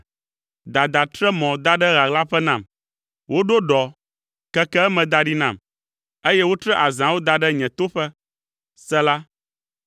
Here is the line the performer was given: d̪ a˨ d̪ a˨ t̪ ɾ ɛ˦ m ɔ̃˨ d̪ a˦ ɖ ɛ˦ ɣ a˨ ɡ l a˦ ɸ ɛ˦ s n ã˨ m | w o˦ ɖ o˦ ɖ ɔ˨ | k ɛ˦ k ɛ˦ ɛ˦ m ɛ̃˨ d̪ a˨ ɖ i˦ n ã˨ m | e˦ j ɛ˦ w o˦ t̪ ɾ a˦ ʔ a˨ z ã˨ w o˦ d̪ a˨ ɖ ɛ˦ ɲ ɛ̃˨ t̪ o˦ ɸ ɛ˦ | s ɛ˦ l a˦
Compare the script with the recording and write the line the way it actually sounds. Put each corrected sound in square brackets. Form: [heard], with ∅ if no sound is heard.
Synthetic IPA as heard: d̪ a˨ d̪ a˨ t̪ ɾ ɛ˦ m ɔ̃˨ d̪ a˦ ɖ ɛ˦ ɣ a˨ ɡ l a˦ ɸ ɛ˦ [∅] n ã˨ m | w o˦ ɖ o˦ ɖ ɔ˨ | k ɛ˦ k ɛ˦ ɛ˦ m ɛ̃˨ d̪ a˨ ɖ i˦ n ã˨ m | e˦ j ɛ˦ w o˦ t̪ ɾ [ɛ˦] ʔ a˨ z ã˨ w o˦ d̪ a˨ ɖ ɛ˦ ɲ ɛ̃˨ t̪ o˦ ɸ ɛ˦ | s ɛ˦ l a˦